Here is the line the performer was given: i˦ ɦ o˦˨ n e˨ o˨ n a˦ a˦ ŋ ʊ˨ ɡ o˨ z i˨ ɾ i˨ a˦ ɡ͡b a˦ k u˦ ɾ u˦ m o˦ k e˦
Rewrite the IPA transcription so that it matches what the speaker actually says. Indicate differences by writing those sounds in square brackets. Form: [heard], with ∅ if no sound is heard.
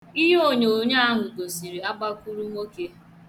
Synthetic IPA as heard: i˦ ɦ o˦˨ [ɲ] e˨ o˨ [ɲ] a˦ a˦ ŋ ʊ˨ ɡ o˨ [s] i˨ ɾ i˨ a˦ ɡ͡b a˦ k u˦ ɾ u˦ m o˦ k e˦